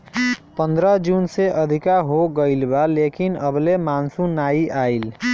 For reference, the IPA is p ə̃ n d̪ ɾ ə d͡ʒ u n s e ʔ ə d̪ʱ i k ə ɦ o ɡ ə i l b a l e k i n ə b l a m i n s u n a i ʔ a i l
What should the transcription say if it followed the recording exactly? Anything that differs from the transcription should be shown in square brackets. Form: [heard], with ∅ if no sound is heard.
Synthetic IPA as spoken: p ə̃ n d̪ ɾ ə d͡ʒ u n s e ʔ ə d̪ʱ i k [a] ɦ o ɡ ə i l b a l e k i n ə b l [e] m [a] n s u n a i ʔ a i l